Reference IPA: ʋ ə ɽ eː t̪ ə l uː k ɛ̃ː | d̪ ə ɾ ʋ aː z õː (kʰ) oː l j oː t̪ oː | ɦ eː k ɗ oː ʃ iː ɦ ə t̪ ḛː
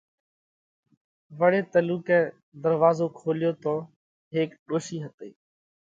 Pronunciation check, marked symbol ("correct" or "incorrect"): correct